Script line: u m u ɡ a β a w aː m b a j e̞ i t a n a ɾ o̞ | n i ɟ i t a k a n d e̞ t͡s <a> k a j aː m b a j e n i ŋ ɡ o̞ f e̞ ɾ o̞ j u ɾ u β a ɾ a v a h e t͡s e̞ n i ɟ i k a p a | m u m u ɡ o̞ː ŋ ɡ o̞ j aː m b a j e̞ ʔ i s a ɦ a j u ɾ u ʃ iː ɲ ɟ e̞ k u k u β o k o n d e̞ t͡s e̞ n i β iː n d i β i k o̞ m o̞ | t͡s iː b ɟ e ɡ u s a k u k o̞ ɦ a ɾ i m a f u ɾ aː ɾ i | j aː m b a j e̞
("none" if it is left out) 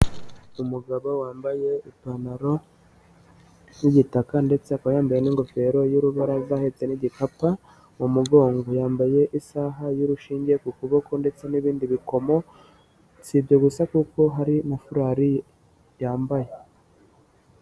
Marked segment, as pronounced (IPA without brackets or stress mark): e